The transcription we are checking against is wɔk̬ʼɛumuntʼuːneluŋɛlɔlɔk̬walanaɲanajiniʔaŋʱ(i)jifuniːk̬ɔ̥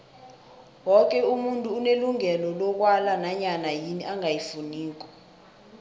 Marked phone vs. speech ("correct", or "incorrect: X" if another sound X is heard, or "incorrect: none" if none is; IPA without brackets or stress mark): incorrect: a